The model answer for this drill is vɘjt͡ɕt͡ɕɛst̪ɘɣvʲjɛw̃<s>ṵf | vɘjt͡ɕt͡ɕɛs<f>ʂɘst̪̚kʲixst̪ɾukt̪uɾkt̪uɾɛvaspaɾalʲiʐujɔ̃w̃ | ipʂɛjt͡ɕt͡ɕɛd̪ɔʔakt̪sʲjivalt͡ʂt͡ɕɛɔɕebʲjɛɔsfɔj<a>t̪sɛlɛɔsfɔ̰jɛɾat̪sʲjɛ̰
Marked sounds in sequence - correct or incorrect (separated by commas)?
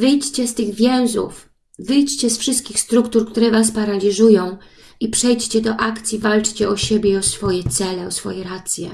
incorrect, correct, incorrect